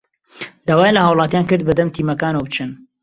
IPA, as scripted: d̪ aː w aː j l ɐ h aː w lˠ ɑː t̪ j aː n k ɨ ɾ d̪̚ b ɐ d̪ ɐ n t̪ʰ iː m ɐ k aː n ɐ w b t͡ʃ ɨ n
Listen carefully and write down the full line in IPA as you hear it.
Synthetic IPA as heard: d̪ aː w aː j l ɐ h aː w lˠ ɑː t̪ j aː n k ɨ ɾ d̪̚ b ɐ d̪ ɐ m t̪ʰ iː m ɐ k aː n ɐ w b t͡ʃ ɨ n